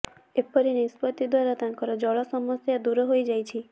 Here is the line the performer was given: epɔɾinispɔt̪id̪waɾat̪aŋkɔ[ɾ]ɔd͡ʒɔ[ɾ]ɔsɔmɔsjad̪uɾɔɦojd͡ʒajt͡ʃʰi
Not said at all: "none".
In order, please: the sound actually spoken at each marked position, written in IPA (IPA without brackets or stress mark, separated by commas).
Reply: ɾ, ɭ